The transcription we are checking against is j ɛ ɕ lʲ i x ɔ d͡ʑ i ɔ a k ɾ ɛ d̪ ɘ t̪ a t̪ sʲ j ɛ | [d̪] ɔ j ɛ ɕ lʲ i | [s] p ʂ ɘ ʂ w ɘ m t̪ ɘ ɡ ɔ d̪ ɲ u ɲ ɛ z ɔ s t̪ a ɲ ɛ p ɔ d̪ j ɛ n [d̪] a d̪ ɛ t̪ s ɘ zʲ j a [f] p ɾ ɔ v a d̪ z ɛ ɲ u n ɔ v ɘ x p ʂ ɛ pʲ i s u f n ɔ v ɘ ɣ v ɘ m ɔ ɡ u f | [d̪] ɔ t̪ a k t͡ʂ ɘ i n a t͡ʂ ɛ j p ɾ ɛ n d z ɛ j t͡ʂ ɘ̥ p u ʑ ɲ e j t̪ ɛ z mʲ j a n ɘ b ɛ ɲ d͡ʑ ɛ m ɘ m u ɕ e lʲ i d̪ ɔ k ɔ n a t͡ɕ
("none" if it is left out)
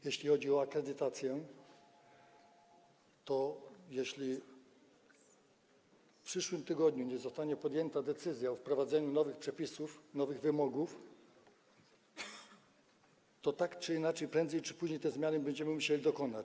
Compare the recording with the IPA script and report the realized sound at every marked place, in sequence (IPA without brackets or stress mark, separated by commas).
t̪, f, t̪, f, t̪